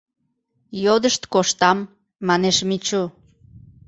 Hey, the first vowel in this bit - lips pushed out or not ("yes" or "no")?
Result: yes